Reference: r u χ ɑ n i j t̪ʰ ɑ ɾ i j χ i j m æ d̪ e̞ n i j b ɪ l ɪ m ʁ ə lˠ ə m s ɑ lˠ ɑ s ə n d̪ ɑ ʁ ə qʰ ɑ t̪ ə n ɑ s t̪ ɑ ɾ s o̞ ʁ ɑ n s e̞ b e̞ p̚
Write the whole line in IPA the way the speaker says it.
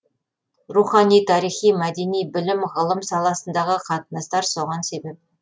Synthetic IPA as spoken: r u χ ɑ n i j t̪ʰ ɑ ɾ i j χ i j m æ d̪ e̞ n i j b ɪ l ɪ m ʁ ə lˠ ə m s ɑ lˠ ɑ s ə n d̪ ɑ ʁ ə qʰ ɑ t̪ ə n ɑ s t̪ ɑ ɾ s o̞ ʁ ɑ n s e̞ b e̞ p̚